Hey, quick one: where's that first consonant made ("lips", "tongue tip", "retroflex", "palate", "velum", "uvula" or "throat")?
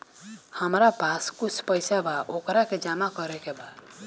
throat